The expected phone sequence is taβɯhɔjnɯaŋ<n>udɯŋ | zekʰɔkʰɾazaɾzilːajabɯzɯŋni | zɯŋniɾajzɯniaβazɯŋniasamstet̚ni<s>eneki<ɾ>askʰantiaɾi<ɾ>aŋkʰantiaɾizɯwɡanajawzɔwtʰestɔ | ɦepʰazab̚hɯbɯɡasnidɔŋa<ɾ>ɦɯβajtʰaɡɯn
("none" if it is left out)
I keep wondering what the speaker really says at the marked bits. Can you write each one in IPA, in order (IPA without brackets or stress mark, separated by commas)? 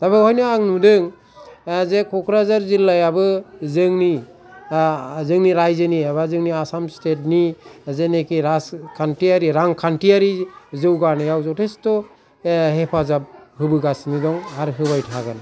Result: n, z, ɾ, ɾ, ɾ